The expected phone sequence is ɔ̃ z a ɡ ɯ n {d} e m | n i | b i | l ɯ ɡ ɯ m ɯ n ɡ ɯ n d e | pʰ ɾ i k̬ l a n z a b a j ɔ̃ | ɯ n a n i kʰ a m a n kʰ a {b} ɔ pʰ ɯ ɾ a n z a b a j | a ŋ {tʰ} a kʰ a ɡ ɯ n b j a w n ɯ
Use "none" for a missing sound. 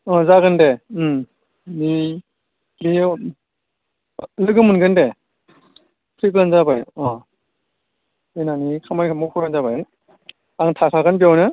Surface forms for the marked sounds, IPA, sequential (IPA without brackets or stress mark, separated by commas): d, m, tʰ